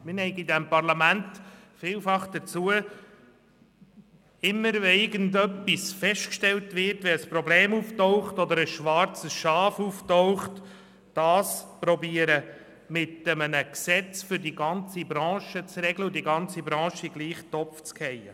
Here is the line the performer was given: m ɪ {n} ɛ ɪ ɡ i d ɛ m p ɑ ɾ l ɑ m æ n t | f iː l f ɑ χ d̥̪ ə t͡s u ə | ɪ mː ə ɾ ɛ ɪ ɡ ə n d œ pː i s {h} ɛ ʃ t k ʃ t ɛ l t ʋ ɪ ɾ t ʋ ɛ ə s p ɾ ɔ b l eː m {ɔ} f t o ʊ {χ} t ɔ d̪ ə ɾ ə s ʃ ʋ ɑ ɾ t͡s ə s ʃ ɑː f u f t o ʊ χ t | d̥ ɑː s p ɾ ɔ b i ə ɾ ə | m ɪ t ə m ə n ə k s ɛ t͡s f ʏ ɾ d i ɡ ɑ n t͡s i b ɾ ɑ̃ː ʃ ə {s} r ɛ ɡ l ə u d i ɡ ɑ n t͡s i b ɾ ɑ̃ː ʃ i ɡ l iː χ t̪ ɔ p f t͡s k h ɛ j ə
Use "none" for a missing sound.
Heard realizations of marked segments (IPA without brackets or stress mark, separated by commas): n, f, u, χ, t͡s